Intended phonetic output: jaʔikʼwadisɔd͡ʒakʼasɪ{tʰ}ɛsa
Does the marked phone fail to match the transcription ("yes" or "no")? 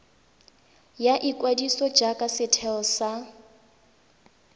no